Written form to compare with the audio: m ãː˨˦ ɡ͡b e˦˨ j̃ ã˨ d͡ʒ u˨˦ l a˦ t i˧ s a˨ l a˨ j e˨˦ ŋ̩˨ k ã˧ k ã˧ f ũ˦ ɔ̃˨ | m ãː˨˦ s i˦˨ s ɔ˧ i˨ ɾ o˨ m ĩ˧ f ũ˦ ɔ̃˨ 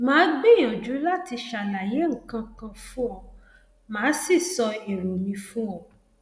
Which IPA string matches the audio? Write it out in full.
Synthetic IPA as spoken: m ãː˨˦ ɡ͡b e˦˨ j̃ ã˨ d͡ʒ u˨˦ l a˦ t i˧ ʃ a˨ l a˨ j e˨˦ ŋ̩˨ k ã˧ k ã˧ f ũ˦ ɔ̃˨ | m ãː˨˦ s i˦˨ s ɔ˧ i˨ ɾ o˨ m ĩ˧ f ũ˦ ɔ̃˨